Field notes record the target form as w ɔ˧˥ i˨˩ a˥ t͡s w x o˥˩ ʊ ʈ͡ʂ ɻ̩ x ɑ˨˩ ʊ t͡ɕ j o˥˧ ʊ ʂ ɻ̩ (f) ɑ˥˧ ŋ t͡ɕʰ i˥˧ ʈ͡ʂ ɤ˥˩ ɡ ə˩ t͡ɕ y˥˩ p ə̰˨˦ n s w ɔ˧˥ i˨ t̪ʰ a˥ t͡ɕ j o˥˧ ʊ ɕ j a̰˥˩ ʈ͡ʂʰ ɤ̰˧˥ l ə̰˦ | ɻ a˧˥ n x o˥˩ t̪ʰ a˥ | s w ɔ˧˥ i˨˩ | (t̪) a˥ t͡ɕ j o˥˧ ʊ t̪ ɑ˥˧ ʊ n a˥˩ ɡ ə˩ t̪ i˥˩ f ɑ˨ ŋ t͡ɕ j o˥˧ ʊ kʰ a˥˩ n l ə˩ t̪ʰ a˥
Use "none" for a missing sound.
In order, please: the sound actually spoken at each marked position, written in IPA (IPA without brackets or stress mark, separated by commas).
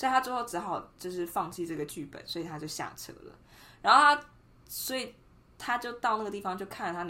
f, t̪ʰ